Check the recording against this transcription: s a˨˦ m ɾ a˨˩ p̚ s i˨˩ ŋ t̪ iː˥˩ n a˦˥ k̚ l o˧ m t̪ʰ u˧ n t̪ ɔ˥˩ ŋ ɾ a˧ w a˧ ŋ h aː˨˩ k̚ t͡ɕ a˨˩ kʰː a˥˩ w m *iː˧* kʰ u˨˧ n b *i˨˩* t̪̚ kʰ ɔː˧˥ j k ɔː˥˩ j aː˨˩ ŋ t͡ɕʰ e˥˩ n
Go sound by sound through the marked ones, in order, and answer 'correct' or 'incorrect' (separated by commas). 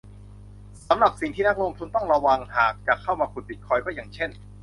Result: incorrect, correct